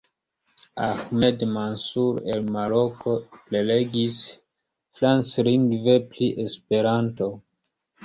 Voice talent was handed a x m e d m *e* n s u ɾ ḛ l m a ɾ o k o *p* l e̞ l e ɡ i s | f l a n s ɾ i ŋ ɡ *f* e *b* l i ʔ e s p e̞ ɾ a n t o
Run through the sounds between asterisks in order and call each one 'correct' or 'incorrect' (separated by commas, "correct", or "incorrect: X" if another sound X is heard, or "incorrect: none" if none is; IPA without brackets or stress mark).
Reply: incorrect: a, correct, incorrect: v, incorrect: p